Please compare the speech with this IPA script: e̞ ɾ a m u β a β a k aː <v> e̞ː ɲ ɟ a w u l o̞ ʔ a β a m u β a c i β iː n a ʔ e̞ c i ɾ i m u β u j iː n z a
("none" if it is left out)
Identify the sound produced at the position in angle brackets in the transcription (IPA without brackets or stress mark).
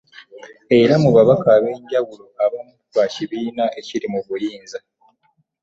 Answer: β